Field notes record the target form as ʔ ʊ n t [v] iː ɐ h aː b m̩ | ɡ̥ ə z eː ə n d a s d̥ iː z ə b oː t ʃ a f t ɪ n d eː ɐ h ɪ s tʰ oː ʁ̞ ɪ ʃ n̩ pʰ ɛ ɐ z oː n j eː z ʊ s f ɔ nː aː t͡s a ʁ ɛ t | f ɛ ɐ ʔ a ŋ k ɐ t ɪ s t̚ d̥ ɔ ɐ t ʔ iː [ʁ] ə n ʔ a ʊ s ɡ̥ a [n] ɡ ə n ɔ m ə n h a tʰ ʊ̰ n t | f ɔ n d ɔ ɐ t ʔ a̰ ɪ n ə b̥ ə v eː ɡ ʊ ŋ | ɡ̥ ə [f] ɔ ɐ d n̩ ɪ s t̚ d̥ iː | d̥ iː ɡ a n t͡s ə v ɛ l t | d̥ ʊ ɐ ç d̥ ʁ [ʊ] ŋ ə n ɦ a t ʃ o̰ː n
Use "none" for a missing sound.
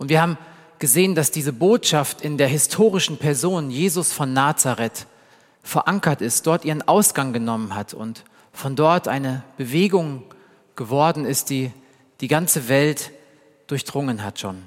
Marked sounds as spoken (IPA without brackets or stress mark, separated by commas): v, ʁ, ŋ, v, ʊ